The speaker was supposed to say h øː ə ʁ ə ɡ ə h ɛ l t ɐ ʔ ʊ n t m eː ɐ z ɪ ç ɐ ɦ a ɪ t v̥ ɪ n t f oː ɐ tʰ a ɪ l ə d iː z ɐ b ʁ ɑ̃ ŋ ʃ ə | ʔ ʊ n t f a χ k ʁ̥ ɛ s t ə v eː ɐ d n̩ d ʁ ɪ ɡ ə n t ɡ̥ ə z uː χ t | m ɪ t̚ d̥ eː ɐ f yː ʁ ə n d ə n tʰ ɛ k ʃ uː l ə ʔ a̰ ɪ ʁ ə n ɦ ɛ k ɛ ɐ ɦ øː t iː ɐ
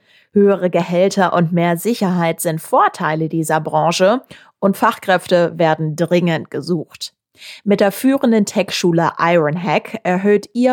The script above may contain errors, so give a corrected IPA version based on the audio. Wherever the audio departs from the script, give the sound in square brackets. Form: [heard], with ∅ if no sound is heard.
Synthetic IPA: h øː ə ʁ ə ɡ ə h ɛ l t ɐ ʔ ʊ n t m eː ɐ z ɪ ç ɐ ɦ a ɪ t [z̥] ɪ n t f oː ɐ tʰ a ɪ l ə d iː z ɐ b ʁ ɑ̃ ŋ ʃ ə | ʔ ʊ n t f a χ k ʁ̥ ɛ [f] t ə v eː ɐ d n̩ d ʁ ɪ [ŋ] ə n t ɡ̥ ə z uː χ t | m ɪ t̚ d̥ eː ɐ f yː ʁ ə n d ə n tʰ ɛ k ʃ uː l ə ʔ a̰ ɪ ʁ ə n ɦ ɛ k ɛ ɐ ɦ øː t iː ɐ